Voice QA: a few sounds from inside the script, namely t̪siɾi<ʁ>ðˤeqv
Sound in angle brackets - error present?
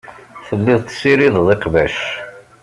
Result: yes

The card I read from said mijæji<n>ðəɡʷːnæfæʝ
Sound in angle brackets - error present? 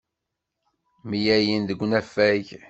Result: no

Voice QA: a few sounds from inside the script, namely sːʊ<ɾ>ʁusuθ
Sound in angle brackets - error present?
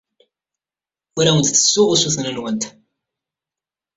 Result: yes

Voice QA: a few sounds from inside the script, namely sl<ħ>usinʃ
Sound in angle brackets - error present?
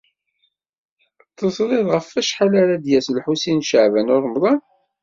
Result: no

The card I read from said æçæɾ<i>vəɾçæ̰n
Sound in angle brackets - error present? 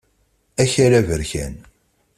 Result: yes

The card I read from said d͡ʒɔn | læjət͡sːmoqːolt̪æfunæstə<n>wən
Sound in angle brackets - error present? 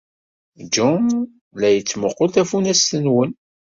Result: no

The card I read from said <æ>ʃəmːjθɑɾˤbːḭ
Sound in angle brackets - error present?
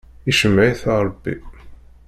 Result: yes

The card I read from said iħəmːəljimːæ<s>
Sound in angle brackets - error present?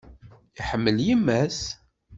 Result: no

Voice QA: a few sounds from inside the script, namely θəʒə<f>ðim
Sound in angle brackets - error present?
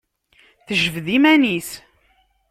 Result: yes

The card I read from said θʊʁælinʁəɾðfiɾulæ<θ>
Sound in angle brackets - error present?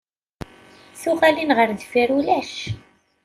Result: yes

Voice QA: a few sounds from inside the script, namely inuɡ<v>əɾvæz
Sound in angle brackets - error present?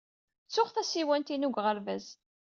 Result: yes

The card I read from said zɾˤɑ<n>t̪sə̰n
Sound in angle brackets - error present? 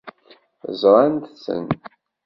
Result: no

